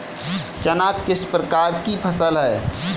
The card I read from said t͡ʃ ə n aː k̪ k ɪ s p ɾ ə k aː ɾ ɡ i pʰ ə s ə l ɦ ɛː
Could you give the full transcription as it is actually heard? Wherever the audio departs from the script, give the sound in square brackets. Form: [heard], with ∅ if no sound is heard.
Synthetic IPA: t͡ʃ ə n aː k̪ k ɪ s p ɾ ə k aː ɾ [k] i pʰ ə s ə l ɦ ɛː